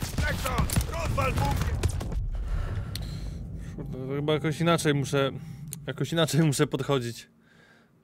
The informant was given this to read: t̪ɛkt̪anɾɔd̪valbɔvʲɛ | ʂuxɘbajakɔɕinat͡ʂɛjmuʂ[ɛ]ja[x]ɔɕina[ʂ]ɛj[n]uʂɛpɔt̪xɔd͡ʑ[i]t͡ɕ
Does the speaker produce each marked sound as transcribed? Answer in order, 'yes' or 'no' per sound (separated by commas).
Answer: yes, no, no, no, yes